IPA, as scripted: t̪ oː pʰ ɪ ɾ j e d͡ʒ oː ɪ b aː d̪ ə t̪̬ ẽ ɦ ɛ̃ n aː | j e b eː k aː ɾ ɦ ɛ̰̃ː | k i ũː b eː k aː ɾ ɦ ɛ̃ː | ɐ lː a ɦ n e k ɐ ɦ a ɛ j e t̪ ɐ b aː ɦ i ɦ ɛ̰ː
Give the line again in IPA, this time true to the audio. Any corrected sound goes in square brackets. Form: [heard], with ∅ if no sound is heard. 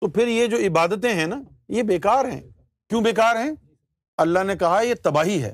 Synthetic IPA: t̪ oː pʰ ɪ ɾ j e d͡ʒ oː ɪ b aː d̪ ə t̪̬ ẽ ɦ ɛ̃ n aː | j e b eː k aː ɾ ɦ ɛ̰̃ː | k [j] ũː b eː k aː ɾ ɦ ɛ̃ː | ɐ lː a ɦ n e k ɐ ɦ a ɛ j e t̪ ɐ b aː ɦ i ɦ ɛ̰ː